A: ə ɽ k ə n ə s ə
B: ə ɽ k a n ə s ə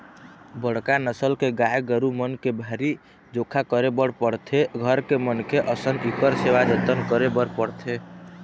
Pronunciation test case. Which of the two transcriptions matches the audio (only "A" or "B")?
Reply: B